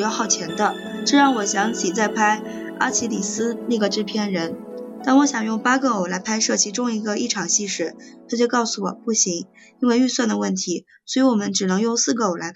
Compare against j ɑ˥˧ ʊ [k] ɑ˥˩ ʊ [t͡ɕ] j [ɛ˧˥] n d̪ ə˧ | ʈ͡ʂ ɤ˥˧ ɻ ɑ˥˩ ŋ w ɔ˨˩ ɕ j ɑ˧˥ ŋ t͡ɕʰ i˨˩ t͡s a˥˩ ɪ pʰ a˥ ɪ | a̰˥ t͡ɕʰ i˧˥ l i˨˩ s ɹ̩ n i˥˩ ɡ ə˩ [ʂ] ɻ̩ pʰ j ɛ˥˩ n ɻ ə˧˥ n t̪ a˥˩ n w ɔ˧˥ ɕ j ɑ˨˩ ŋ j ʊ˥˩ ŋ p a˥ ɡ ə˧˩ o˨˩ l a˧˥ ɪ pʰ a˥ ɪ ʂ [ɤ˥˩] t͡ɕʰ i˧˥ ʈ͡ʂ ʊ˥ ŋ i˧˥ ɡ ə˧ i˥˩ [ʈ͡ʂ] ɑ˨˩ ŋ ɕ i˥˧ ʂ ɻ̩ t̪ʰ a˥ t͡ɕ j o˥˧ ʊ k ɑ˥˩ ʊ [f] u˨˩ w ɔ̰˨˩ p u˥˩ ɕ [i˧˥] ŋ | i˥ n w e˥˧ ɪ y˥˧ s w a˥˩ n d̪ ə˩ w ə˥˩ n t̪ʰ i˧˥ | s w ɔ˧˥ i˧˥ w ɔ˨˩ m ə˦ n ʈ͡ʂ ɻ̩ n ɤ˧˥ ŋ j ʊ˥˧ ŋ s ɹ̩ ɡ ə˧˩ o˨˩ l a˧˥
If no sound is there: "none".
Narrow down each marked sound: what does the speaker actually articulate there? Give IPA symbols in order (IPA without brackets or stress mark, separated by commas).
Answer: x, t͡ɕʰ, ɛ˧˥, ʈ͡ʂ, ɤ˥˩, ʈ͡ʂʰ, s, i˧˥